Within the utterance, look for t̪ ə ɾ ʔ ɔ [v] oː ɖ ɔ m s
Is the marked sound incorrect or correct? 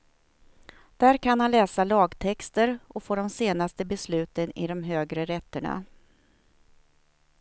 incorrect